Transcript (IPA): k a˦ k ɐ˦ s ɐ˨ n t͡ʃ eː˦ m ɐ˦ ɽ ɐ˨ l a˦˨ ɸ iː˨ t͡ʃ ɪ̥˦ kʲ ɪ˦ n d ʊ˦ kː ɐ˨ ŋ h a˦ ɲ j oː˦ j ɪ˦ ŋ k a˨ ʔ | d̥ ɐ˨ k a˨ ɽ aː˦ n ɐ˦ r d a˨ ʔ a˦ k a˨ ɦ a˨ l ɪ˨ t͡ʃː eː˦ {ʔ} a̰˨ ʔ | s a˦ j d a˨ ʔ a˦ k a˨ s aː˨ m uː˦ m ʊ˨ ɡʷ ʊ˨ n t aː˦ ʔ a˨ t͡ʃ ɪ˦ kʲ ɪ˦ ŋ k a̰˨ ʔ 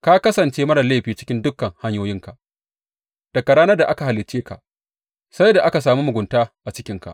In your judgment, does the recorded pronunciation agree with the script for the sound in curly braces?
no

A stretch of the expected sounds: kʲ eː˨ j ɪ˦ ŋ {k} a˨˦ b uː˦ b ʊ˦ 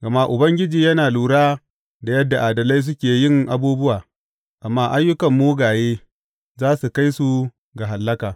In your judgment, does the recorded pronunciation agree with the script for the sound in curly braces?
no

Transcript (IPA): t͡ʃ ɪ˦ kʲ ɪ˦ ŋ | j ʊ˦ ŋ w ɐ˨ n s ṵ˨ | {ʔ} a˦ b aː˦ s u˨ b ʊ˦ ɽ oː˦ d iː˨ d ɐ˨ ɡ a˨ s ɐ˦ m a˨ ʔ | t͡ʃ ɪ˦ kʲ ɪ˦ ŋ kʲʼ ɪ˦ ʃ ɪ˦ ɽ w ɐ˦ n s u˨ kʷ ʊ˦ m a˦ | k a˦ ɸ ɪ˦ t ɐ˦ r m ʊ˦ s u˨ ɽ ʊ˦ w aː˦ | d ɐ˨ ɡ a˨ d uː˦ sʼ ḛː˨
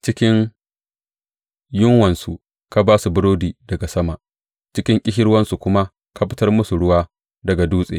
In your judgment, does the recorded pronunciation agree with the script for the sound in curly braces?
no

